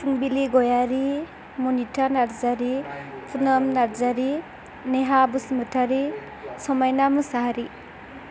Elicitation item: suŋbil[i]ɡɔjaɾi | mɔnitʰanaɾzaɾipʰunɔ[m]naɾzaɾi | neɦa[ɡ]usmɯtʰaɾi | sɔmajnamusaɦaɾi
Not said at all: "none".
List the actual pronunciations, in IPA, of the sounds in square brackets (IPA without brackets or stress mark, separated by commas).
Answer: i, m, b